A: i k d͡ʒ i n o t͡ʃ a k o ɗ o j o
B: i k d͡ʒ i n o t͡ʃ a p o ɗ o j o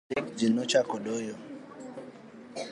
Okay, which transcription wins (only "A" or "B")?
A